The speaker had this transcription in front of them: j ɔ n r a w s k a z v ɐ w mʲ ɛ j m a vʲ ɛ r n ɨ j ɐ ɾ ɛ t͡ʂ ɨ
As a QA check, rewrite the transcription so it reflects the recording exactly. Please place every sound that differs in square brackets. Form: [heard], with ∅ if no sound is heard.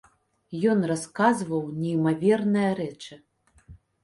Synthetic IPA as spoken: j ɔ n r a [∅] s k a z v ɐ w [nʲ] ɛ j m a vʲ ɛ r n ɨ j ɐ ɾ ɛ t͡ʂ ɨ